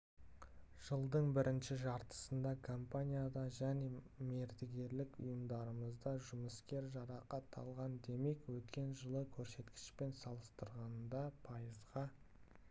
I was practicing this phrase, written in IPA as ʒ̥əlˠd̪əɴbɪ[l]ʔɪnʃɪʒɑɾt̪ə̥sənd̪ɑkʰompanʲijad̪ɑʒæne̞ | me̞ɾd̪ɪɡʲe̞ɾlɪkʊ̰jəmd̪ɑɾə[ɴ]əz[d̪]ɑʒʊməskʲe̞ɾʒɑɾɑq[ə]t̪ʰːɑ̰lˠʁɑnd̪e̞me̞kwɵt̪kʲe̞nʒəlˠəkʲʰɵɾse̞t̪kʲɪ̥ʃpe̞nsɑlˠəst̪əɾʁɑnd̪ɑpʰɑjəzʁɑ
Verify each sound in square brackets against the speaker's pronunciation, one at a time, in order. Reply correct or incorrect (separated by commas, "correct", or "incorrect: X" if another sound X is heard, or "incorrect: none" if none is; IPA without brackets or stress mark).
incorrect: ɾ, incorrect: m, correct, incorrect: ɑ